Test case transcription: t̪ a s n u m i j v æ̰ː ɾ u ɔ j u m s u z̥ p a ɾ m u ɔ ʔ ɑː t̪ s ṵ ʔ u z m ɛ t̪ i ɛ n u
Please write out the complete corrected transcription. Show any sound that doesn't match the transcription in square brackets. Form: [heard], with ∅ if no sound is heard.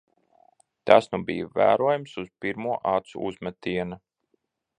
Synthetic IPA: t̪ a s n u [b] i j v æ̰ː ɾ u ɔ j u m s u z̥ p [i] ɾ m u ɔ ʔ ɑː t̪ s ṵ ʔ u z m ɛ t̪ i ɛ n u